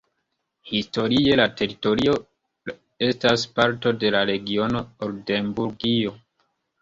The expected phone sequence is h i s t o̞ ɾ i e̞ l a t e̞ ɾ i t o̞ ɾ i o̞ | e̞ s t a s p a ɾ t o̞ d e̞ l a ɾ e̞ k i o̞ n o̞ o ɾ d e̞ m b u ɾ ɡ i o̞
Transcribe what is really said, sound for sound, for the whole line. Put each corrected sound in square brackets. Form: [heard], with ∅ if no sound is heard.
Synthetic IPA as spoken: h i s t o̞ ɾ i e̞ l a t e̞ ɾ i t o̞ ɾ i o̞ | e̞ s t a s p a ɾ t o̞ d e̞ l a ɾ e̞ [ɡ] i o̞ n o̞ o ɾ d e̞ m b u ɾ ɡ i o̞